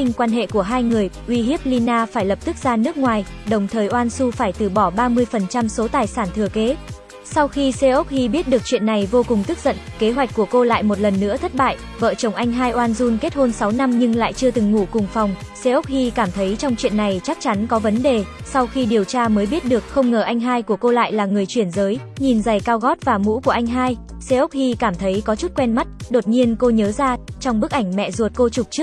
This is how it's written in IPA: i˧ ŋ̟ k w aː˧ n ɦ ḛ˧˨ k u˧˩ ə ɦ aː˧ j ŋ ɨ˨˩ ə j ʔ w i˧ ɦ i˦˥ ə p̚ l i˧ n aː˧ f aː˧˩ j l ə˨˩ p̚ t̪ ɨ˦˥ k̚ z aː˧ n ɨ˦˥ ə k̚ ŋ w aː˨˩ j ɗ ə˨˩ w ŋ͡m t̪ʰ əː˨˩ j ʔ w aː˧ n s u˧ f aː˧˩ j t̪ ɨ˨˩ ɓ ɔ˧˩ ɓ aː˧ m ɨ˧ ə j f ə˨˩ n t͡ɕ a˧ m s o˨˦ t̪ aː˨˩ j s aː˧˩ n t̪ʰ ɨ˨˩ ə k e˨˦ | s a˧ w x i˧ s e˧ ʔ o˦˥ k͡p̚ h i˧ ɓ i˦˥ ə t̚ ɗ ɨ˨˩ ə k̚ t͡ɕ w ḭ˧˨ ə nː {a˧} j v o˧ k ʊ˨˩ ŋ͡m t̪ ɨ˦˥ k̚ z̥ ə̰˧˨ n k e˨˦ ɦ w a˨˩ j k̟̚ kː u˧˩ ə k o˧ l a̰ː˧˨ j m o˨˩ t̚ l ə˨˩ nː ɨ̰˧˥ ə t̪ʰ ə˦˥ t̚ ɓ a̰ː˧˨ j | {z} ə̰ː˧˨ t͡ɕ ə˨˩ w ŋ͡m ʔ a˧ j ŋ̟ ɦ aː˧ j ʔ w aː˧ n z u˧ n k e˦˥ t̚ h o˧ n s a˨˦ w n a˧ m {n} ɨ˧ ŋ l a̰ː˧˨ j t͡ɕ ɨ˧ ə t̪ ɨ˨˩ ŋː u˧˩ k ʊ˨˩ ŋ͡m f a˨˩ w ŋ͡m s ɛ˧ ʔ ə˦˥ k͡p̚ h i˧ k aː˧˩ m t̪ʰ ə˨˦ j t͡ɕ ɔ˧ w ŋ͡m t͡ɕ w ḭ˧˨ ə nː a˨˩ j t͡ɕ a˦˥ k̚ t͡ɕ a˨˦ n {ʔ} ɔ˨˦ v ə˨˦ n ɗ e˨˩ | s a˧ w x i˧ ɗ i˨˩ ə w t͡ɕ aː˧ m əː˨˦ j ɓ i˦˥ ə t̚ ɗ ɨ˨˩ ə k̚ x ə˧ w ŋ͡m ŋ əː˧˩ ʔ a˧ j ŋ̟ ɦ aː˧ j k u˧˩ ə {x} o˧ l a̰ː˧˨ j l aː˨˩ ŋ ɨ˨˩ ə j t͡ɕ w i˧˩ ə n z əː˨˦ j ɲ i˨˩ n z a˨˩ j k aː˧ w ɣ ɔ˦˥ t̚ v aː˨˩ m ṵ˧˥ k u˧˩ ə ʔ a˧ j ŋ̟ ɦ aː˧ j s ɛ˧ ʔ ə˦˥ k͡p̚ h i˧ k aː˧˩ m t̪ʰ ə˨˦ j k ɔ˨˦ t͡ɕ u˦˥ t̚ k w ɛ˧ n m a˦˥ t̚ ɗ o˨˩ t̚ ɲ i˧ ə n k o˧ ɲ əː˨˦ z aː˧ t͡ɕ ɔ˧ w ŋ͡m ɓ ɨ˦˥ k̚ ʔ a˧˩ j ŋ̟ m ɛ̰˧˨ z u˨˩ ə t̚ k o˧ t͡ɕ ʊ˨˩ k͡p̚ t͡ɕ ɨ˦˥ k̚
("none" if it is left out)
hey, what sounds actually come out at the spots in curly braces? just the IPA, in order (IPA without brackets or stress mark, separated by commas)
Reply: a˨˩, v, ɲ, k, k